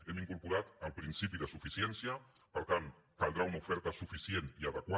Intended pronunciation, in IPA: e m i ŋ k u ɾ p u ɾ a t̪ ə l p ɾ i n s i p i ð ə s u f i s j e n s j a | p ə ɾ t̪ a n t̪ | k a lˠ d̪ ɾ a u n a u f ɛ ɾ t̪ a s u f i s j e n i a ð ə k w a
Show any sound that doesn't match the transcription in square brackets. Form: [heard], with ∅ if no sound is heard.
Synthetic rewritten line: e m i ŋ k u ɾ p u ɾ a t̪ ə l p ɾ i n s i p i ð ə s u f i s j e n s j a | p ə ɾ t̪ a n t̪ | k a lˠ d̪ ɾ a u n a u f ɛ ɾ t̪ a s u f i s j e n i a ð ə k w a